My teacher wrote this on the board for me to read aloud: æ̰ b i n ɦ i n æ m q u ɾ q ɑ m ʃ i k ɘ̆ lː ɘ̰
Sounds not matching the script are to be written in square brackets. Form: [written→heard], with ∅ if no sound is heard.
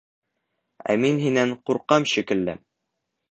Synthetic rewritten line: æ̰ [b→m] i n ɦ i n æ [m→ɴ] q u ɾ q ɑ m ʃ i k ɘ̆ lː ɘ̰